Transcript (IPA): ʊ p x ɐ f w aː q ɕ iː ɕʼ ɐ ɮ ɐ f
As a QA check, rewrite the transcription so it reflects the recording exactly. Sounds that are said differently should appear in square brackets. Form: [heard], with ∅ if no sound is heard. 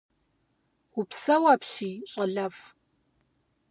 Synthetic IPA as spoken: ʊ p [s] ɐ [∅] w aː [p] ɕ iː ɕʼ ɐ ɮ ɐ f